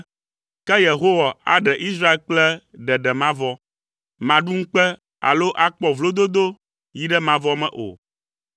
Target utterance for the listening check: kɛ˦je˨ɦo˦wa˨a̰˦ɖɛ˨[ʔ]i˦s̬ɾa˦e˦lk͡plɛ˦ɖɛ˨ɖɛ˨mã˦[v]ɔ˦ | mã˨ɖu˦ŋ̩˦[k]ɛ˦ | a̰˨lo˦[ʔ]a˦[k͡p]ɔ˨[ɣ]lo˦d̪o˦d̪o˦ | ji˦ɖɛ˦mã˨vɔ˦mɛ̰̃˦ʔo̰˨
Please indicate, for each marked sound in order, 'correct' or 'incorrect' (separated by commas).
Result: correct, correct, incorrect, correct, correct, incorrect